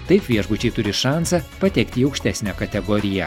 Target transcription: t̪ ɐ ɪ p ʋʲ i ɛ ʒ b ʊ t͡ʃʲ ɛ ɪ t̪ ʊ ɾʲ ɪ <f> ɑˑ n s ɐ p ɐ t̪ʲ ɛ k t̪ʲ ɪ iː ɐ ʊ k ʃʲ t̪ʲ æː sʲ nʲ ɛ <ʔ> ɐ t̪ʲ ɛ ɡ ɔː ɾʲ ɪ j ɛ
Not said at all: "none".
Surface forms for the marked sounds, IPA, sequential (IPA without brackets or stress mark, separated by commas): ʃ, k